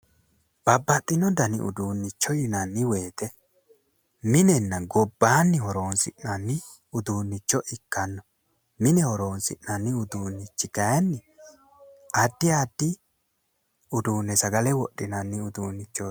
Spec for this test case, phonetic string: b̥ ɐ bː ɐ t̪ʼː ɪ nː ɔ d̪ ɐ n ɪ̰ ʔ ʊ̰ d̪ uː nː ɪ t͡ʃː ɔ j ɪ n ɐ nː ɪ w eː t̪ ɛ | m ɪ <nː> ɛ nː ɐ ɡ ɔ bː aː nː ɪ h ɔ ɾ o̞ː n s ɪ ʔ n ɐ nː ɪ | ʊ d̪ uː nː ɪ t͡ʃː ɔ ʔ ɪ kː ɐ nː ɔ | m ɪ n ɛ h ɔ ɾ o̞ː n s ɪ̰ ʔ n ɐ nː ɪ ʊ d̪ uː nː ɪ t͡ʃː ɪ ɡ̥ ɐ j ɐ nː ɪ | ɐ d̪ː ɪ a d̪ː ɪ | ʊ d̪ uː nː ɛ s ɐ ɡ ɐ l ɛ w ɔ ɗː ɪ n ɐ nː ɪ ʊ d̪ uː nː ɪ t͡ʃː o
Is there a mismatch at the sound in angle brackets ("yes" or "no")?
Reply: yes